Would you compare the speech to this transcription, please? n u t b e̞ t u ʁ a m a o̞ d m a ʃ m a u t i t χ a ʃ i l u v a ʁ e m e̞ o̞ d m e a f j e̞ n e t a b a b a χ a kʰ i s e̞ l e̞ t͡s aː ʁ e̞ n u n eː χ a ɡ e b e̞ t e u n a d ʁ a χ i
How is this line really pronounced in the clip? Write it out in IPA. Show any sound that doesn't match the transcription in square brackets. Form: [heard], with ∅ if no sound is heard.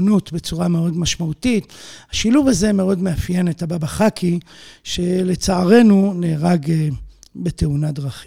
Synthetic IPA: n u t b e̞ [t͡s] u ʁ a m [e] o̞ d m a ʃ m a u t i t [h] a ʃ i l u v a [z] e m e̞ o̞ d m e a f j e̞ n e t a b a b a χ a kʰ i [ʃ] e̞ l e̞ t͡s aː ʁ e̞ n u n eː [ʁ] a ɡ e b e̞ t e u n a d ʁ a χ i